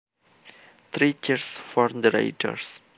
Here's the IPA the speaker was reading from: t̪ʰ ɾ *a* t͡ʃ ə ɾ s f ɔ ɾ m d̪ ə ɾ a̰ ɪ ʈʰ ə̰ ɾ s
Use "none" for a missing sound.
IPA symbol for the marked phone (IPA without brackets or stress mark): i